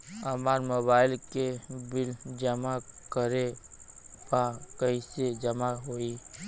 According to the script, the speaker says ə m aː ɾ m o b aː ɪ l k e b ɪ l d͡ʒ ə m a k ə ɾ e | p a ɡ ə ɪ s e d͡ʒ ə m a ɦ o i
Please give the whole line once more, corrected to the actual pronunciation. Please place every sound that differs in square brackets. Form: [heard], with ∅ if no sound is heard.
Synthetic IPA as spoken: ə m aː ɾ m o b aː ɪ l k e b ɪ l d͡ʒ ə m a k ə ɾ e | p a [k] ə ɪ s e d͡ʒ ə m a ɦ o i